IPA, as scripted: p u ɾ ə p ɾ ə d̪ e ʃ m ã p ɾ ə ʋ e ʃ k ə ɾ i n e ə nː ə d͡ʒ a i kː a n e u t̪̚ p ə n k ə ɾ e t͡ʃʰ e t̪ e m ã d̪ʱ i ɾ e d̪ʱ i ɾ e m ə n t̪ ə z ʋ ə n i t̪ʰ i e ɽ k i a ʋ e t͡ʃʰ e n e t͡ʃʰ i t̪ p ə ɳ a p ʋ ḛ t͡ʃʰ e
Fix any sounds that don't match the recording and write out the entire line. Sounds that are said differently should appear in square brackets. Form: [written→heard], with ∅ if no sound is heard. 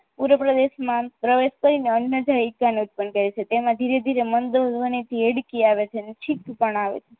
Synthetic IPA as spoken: p u ɾ ə p ɾ ə d̪ e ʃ m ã p ɾ ə ʋ e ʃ k ə ɾ i n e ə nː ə d͡ʒ a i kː a n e u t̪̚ p ə n k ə ɾ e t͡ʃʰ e t̪ e m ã d̪ʱ i ɾ e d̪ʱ i ɾ e m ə n [t̪→d̪] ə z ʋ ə n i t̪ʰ i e ɽ k i a ʋ e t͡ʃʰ e n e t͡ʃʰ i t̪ p ə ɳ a [p→∅] ʋ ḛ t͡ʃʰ e